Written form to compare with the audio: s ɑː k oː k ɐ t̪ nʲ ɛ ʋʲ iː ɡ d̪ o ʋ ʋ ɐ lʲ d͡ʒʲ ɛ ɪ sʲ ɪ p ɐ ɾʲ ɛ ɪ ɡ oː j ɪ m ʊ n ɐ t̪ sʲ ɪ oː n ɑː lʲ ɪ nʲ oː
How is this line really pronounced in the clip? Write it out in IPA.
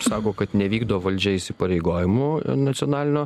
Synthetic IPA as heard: s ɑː k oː k ɐ t̪ nʲ ɛ ʋʲ iː ɡ d̪ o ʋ ʋ ɐ lʲ d͡ʒʲ ɛ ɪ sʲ ɪ p ɐ ɾʲ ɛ ɪ ɡ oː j ɪ m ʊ n ɐ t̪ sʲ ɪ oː n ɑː lʲ ɪ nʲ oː